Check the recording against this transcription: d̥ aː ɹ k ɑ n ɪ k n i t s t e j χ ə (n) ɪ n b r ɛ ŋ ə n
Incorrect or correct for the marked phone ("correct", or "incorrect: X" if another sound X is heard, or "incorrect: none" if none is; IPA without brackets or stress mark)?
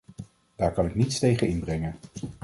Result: correct